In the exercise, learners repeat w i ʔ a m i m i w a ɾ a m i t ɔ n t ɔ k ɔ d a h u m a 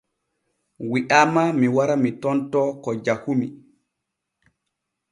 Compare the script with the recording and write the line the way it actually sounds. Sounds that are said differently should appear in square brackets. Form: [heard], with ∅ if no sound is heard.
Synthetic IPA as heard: w i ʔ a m [a] m i w a ɾ a m i t ɔ n t ɔ k ɔ [d͡ʒ] a h u m [i]